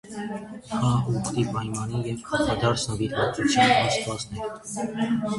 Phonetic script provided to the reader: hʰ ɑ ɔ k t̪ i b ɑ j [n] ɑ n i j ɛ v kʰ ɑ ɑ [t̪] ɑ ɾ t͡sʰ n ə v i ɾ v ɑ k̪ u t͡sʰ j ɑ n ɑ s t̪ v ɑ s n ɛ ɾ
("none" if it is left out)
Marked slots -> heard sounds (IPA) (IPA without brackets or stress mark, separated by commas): m, d̪